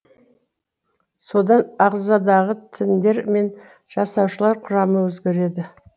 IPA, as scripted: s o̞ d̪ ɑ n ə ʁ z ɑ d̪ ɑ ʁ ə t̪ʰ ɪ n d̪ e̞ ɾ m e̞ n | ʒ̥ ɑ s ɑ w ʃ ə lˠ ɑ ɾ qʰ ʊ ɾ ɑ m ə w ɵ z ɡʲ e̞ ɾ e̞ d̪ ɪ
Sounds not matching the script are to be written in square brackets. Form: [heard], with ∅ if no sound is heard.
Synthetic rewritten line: s o̞ d̪ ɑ n [ɑ] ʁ z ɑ d̪ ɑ ʁ ə t̪ʰ ɪ n d̪ e̞ ɾ m e̞ n | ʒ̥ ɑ s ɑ w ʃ ə lˠ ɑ ɾ qʰ ʊ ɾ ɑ m ə w ɵ z ɡʲ e̞ ɾ e̞ d̪ ɪ